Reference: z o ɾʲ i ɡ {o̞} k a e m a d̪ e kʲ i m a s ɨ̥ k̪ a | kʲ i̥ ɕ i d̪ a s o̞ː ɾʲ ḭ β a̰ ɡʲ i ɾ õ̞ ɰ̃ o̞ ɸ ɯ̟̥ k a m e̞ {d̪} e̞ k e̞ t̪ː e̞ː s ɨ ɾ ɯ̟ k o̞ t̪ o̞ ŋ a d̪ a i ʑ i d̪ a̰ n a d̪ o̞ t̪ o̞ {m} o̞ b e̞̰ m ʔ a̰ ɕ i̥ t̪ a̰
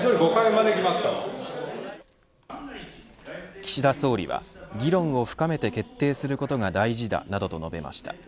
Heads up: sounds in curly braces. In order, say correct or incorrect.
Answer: correct, incorrect: t̪, incorrect: n

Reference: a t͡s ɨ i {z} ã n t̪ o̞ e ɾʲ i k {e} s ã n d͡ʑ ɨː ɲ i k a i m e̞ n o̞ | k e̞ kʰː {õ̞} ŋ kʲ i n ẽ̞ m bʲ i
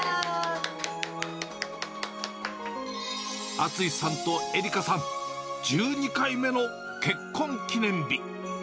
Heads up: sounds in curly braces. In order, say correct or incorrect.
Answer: incorrect: s, incorrect: a, correct

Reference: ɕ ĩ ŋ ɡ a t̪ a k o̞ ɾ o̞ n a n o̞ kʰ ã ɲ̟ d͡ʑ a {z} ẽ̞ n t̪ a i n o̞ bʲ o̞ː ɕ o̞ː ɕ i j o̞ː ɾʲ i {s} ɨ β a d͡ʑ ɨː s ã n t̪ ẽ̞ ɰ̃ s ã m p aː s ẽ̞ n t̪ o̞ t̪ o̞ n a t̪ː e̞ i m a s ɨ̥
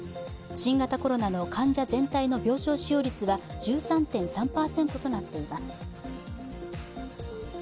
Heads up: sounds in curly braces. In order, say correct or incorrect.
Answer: correct, incorrect: t͡s

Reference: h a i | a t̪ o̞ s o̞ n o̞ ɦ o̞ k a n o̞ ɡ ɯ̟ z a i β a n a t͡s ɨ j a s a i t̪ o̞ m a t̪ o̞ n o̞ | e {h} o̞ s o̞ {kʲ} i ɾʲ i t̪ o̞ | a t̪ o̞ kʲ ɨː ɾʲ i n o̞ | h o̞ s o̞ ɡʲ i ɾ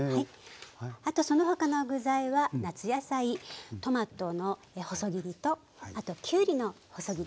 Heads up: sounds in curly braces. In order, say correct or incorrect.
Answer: correct, incorrect: ɡʲ

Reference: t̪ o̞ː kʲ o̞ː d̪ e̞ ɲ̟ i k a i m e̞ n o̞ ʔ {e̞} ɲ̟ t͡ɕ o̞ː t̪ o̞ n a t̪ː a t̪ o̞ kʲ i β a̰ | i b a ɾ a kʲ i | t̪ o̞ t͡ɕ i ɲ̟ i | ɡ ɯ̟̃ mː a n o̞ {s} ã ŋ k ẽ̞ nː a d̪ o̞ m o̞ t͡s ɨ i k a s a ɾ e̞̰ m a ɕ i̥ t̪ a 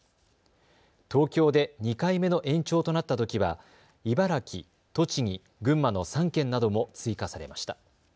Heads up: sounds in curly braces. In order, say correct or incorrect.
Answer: incorrect: ẽ̞, correct

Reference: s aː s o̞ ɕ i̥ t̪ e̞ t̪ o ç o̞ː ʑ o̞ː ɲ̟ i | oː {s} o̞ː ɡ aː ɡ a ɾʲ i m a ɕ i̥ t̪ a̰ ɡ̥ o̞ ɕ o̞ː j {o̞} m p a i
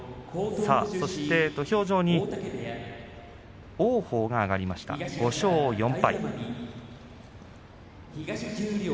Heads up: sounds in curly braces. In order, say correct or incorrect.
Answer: incorrect: h, incorrect: õ̞

